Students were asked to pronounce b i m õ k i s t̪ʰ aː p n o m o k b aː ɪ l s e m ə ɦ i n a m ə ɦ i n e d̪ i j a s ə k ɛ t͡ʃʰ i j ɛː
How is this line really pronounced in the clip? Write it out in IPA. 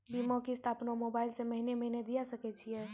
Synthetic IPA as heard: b i m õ k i s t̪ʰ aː p n o m o b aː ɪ l s e m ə ɦ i n e m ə ɦ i n e d̪ i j a s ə k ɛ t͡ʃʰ i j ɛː